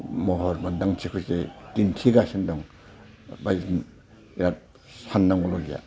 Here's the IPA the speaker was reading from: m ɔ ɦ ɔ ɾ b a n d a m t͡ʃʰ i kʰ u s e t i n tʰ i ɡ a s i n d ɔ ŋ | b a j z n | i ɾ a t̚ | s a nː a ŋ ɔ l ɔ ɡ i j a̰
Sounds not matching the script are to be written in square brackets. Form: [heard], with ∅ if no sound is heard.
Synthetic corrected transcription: m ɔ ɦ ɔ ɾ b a n d a [ŋ] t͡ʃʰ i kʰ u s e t i n tʰ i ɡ a s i n d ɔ ŋ | b a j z n | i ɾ a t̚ | s a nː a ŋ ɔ l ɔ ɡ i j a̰

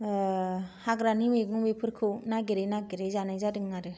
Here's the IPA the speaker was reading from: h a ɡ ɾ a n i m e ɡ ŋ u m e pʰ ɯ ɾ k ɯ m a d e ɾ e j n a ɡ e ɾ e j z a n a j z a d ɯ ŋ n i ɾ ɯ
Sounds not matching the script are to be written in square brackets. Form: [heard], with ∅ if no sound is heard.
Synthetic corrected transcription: h a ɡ ɾ a n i m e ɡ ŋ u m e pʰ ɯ ɾ [kʰ] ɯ [n] a [ɡ] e ɾ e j n a ɡ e ɾ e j z a n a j z a d ɯ ŋ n [a] ɾ ɯ

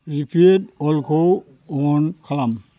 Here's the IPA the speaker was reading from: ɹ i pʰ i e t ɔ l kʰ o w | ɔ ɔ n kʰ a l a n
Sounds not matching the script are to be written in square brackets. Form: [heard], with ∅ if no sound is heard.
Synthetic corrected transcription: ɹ i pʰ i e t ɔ l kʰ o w | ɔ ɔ n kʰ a l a [m]

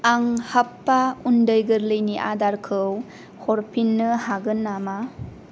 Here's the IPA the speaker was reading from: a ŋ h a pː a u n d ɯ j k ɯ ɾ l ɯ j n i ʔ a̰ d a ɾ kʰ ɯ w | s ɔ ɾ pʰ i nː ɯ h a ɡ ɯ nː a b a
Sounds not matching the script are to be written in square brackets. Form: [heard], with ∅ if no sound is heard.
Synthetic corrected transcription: a ŋ h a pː a u n d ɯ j [ɡ] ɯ ɾ l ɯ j n i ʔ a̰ d a ɾ kʰ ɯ w | [h] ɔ ɾ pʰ i nː ɯ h a ɡ ɯ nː a [m] a

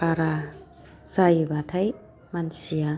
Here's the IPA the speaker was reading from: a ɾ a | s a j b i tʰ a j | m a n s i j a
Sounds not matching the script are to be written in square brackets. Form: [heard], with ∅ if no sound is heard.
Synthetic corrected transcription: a ɾ a | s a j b [a] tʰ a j | m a n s i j a

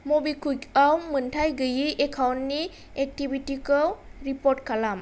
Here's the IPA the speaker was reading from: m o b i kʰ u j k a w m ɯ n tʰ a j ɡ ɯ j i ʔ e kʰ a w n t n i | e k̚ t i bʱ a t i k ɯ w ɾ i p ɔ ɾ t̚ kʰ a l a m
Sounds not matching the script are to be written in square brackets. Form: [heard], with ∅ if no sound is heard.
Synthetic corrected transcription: m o b i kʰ u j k a w m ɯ n tʰ a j ɡ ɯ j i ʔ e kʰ a w n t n i | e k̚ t i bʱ [i] t i k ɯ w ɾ i p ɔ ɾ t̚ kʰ a l a m

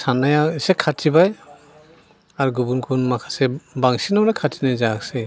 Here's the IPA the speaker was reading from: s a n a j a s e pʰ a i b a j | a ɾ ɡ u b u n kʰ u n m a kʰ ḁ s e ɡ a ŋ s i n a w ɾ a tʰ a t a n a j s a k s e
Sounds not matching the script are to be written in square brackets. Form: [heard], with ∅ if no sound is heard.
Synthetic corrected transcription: s a n a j a s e [kʰ] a i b a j | a ɾ ɡ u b u n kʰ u n m a kʰ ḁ s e [b] a ŋ s i n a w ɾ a [kʰ] a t [i] n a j [z] a k s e

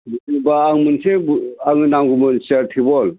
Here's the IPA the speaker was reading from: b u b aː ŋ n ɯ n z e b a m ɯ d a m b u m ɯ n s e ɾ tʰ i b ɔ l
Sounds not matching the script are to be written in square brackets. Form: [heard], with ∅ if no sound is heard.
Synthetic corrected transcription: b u b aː ŋ [m] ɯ n [s] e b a [ŋ] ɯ [n] a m [ɡ] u m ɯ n s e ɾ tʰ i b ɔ l

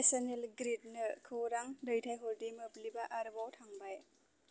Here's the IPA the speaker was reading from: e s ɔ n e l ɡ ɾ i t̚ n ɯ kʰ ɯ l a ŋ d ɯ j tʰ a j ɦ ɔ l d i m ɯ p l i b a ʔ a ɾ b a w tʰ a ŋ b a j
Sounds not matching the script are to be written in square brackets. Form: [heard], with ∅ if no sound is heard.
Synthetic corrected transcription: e s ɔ n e l ɡ ɾ i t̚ n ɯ kʰ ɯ [ɾ] a ŋ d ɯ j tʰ a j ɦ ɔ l d i m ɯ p l i b a ʔ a ɾ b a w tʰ a ŋ b a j

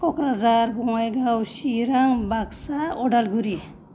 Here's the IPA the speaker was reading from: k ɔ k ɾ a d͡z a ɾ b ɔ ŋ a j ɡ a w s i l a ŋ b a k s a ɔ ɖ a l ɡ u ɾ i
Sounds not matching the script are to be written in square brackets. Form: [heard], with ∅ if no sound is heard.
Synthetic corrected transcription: k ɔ k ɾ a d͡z a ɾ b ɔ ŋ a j ɡ a w s i [ɾ] a ŋ b a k s a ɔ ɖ a l ɡ u ɾ i

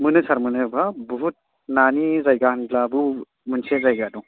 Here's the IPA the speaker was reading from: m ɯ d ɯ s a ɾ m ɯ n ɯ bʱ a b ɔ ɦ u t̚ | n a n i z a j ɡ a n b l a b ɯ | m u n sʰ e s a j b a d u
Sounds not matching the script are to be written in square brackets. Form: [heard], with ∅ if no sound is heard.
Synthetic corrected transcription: m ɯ [n] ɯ s a ɾ m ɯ n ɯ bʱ a b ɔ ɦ u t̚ | n a n i z a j ɡ a n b l a b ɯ | m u n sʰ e [z] a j [ɡ] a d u

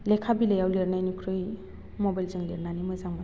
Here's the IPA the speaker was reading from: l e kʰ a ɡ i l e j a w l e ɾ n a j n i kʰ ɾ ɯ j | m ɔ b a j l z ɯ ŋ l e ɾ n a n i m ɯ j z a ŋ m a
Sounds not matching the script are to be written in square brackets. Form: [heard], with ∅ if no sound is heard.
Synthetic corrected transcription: l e kʰ a [b] i l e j a w l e ɾ n a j n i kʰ ɾ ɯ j | m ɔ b a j l z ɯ ŋ l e ɾ n a n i m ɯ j z a ŋ m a

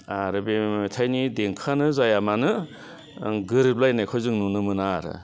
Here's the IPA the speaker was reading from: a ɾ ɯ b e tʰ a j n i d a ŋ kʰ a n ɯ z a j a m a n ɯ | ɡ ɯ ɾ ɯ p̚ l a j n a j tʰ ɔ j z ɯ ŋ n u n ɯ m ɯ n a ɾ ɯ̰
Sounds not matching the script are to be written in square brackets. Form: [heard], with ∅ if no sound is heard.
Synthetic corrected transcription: a ɾ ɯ b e tʰ a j n i d [e] ŋ kʰ a n ɯ z a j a m a n ɯ | ɡ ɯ ɾ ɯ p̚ l a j n a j [kʰ] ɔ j z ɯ ŋ n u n ɯ m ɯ n a ɾ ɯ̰

